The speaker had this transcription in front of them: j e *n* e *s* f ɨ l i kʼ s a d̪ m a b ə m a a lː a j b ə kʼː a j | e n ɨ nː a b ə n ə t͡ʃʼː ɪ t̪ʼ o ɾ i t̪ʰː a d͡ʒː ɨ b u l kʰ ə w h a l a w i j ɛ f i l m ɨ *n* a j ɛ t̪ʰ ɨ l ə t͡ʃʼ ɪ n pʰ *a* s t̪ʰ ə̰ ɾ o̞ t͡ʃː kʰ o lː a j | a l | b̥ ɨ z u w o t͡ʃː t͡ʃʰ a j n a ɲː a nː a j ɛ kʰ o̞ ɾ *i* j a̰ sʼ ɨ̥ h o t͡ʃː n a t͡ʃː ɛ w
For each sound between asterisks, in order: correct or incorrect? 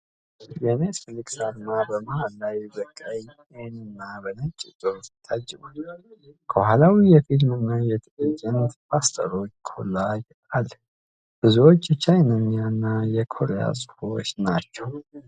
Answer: correct, correct, incorrect: nː, correct, incorrect: e

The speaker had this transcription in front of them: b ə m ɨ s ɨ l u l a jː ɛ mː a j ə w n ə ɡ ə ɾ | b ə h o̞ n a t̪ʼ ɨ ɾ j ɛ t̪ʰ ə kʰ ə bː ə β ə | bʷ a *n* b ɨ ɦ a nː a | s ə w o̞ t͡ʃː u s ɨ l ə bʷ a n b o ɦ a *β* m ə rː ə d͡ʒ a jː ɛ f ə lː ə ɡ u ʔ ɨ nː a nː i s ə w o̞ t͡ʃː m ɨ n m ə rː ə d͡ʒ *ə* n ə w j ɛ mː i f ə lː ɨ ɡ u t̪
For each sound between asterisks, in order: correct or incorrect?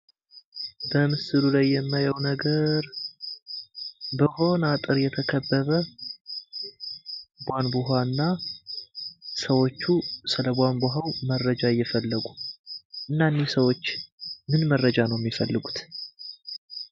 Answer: correct, incorrect: w, incorrect: a

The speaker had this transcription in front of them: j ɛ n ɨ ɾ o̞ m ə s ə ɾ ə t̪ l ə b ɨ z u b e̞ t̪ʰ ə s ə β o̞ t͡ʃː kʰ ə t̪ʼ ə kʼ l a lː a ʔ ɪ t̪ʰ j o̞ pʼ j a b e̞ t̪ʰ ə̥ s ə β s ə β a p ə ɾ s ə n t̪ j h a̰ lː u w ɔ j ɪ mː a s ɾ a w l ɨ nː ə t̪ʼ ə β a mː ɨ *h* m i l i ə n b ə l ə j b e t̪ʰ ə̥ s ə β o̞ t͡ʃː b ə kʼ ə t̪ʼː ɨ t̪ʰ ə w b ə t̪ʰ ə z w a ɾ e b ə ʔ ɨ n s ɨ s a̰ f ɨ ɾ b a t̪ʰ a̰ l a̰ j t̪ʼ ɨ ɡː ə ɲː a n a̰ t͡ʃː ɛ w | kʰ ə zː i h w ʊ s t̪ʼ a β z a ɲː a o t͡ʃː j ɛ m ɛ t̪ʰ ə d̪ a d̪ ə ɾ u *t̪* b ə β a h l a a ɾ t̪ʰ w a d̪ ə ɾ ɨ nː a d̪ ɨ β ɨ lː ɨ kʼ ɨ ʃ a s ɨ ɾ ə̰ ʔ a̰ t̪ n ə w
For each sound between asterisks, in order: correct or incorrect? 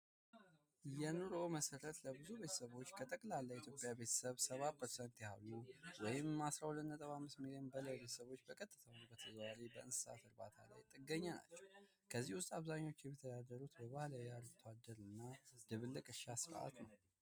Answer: incorrect: s, correct

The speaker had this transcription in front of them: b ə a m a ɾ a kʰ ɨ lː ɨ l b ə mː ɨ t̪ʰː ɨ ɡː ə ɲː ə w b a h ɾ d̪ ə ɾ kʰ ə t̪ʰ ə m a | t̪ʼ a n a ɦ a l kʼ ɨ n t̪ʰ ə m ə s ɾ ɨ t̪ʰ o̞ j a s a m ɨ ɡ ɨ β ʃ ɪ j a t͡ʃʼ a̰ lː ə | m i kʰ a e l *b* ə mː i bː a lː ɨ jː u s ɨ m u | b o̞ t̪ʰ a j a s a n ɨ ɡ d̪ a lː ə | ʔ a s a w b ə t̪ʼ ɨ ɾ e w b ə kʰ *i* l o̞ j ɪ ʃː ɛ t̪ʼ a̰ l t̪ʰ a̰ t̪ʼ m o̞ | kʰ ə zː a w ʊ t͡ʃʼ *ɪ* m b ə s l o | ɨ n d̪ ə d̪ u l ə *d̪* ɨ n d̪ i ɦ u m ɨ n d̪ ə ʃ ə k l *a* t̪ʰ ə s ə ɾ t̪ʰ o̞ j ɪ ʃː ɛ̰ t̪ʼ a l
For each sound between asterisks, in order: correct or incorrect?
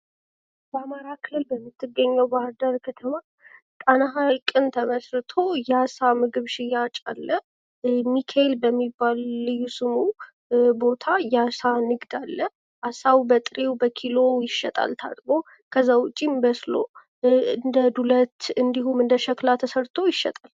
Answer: correct, correct, incorrect: i, incorrect: t̪, correct

